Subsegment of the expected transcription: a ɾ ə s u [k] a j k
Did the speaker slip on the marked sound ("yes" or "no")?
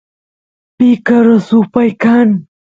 yes